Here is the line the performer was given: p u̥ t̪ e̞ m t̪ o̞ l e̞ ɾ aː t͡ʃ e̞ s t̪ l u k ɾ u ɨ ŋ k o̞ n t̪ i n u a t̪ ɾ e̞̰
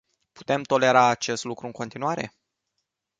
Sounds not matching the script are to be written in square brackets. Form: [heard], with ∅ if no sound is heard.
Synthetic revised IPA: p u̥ t̪ e̞ m t̪ o̞ l e̞ ɾ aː t͡ʃ e̞ s t̪ l u k ɾ u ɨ ŋ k o̞ n t̪ i n u a [∅] ɾ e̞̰